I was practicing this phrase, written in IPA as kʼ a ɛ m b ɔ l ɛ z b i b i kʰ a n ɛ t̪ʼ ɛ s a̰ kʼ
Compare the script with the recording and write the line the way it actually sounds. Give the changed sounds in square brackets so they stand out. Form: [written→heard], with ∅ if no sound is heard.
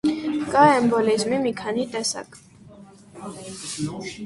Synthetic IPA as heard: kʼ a ɛ m b ɔ l [ɛ→i] z [b→m] i [b→m] i kʰ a n [ɛ→i] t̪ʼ ɛ s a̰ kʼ